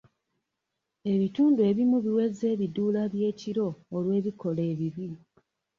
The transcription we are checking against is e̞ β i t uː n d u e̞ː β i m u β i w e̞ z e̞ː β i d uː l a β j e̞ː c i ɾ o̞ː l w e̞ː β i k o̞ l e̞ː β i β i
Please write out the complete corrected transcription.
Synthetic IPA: e̞ β i t uː n d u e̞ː β i m u β i w e̞ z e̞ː β i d uː l a β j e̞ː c i ɾ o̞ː l w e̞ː β i k o̞ l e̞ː β i β i